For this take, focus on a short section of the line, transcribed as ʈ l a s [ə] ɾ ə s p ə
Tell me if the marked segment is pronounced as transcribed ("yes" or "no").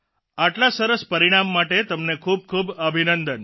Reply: yes